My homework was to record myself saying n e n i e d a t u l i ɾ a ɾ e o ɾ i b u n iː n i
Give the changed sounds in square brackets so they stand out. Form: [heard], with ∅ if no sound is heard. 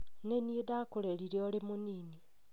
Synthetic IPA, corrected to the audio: n e n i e d a [k] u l [e] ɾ [i] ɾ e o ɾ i [m] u n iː n i